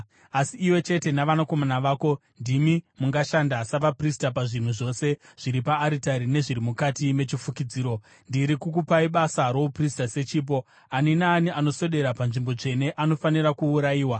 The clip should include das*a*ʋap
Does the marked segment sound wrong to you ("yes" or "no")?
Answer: no